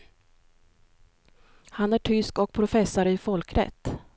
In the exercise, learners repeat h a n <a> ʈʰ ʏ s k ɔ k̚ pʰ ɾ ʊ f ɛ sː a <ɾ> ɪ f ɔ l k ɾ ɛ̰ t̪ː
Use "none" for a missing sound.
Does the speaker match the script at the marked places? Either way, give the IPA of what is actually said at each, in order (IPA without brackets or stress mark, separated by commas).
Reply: æ, ɾ